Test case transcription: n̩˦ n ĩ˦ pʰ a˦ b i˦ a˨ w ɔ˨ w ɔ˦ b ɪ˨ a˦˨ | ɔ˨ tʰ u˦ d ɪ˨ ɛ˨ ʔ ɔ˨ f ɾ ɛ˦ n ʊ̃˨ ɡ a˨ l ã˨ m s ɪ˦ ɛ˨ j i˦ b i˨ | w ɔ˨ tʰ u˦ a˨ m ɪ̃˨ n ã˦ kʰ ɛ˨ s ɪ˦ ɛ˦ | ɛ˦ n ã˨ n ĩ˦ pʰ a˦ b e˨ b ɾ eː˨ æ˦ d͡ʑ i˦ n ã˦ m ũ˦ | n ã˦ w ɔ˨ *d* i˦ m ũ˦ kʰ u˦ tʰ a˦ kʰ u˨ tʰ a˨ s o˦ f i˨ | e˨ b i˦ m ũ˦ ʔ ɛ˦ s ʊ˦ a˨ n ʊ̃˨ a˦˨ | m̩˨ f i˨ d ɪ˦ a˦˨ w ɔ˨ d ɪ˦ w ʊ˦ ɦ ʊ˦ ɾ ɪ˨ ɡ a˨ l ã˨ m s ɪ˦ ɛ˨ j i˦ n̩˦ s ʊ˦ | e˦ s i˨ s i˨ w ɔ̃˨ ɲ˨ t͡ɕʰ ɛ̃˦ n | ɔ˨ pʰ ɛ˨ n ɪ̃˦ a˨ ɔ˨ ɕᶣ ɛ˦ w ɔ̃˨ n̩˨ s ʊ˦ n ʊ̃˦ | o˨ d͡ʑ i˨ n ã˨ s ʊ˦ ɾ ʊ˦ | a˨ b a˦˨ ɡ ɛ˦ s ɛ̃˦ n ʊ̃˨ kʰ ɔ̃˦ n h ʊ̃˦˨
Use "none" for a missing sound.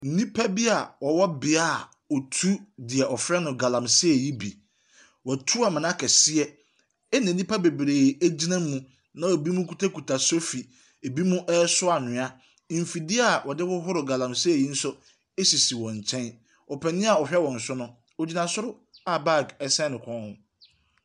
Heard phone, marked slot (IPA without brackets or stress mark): b